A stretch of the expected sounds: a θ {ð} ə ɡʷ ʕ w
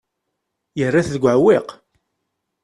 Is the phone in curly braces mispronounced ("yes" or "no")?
no